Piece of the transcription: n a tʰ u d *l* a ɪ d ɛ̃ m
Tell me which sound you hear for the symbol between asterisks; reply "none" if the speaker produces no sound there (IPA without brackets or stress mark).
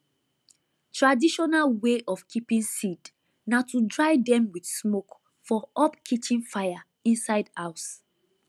ɹ